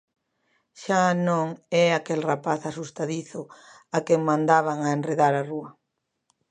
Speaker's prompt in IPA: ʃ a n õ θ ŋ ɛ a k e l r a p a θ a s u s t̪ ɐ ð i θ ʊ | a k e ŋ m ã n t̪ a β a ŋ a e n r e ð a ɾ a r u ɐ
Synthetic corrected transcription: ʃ a n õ ŋ ɛ a k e l r a p a θ a s u s t̪ a ð i θ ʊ | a k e ŋ m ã n d̪ a β a ŋ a e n r e ð a ɾ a r u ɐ